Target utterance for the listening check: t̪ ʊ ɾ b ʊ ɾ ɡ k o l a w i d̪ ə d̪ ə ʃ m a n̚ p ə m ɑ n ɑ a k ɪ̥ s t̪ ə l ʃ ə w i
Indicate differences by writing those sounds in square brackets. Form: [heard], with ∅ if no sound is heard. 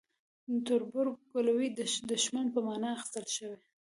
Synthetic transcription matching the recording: t̪ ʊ ɾ b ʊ ɾ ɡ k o l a w i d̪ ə d̪ ə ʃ m a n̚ p ə m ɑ n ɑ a [x] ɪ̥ s t̪ ə l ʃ ə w [e]